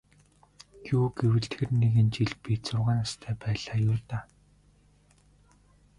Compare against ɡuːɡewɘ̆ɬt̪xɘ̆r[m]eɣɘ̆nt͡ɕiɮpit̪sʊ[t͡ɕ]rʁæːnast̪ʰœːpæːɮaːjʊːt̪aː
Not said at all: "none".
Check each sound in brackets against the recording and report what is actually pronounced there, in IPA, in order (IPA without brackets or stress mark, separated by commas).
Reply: n, none